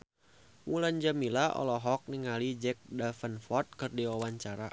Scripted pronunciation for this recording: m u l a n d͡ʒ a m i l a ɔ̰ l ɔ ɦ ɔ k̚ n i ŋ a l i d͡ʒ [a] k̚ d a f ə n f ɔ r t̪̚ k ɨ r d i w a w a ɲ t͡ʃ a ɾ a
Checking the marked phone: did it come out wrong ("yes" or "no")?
yes